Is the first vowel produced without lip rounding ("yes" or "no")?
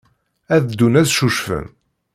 yes